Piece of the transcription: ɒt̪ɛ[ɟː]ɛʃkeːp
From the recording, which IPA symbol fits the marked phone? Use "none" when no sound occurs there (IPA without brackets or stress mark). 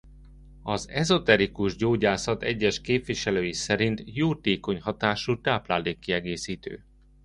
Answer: ɟː